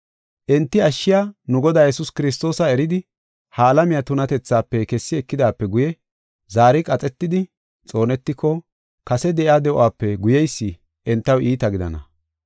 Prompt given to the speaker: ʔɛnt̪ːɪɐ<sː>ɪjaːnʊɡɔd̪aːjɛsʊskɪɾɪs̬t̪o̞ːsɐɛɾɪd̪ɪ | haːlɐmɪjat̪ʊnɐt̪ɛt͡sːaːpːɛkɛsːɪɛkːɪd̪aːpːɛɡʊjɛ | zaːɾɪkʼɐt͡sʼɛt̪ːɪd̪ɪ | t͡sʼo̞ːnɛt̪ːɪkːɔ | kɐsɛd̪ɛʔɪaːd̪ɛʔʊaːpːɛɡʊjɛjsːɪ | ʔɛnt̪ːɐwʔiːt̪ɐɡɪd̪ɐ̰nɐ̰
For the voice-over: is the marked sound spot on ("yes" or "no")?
no